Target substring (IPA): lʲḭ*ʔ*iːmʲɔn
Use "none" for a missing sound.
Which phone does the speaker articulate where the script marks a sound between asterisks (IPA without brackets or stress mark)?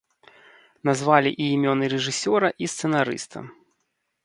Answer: ʔ